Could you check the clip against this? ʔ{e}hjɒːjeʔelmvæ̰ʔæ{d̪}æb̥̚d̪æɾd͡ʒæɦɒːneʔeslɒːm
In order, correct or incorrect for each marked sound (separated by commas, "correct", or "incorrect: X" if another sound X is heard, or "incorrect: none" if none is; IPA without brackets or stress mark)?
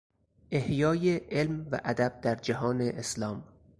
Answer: correct, correct